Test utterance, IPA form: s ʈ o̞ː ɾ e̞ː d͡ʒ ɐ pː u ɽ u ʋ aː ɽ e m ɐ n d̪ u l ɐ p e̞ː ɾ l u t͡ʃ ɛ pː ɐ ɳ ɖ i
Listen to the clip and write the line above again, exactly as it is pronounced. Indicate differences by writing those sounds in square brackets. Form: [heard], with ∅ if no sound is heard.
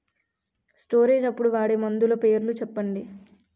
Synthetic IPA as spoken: s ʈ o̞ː ɾ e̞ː d͡ʒ ɐ pː u ɽ u ʋ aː ɽ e m ɐ n d̪ u l ɐ p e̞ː ɾ l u t͡ʃ ɛ pː ɐ ɳ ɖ i